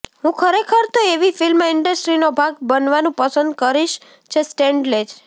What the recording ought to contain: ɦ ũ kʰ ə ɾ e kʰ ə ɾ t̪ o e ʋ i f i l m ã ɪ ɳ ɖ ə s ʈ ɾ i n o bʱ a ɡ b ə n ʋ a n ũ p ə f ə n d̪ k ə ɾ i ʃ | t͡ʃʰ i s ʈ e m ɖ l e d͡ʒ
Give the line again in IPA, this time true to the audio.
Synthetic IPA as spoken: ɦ ũ kʰ ə ɾ e kʰ ə ɾ t̪ o e ʋ i f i l m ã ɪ ɳ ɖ ə s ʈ ɾ i n o bʱ a ɡ b ə n ʋ a n ũ p ə s ə n d̪ k ə ɾ i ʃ | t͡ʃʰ e s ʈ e ɳ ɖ l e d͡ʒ